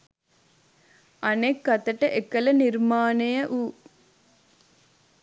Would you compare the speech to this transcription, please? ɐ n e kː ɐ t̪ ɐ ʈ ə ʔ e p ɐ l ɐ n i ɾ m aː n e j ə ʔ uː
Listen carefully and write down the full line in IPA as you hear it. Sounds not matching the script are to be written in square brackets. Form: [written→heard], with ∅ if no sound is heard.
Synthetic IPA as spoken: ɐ n e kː ɐ t̪ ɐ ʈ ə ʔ e [p→k] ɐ l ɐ n i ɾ m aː n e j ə ʔ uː